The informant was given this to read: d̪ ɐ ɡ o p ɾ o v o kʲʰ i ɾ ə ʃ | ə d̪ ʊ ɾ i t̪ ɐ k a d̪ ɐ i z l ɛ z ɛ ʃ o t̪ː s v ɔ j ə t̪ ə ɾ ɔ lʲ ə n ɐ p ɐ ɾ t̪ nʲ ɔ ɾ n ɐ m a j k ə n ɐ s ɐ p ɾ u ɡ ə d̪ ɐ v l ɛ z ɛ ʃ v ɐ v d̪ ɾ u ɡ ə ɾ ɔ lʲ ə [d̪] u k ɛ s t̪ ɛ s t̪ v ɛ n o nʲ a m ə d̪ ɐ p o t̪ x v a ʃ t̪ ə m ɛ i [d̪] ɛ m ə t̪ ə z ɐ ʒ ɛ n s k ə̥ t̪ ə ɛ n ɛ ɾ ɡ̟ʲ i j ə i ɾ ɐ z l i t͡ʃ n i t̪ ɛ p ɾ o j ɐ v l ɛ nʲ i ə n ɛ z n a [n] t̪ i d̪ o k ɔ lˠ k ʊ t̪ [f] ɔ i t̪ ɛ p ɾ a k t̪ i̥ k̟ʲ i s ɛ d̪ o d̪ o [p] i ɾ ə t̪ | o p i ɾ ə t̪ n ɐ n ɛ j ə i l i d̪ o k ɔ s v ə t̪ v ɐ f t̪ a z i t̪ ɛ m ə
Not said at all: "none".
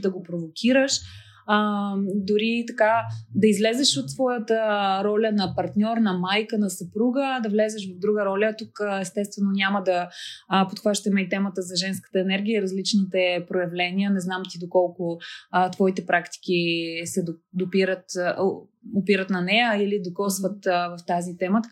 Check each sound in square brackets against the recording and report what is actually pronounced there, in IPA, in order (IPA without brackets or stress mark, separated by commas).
t̪, t̪, m, v, p